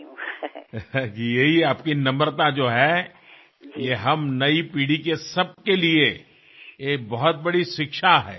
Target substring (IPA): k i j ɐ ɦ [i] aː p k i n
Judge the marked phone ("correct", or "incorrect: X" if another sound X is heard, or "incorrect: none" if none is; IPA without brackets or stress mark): correct